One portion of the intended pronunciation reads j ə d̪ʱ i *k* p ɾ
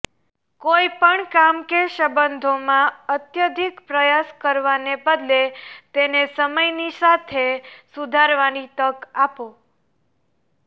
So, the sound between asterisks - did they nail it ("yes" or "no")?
yes